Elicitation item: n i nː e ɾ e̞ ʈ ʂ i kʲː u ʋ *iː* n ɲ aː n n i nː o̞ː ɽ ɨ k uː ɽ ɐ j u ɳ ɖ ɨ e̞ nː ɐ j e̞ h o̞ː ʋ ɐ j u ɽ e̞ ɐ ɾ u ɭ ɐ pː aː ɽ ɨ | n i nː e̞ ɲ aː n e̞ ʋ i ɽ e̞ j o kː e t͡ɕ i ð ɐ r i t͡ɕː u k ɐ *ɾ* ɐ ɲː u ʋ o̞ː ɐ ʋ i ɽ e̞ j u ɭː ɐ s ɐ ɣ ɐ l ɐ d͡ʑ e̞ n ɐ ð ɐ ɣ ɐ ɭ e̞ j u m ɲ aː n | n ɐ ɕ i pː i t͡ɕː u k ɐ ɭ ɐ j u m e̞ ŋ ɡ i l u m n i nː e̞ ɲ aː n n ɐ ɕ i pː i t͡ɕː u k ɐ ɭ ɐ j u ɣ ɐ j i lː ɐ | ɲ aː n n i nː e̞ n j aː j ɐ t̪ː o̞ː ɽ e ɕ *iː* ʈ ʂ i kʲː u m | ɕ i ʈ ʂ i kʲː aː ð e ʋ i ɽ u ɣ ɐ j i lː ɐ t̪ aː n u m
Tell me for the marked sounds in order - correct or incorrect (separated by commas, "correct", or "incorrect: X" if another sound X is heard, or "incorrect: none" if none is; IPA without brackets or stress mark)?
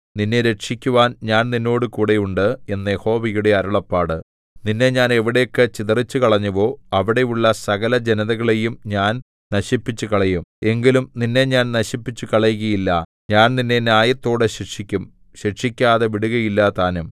incorrect: aː, incorrect: ɭ, incorrect: i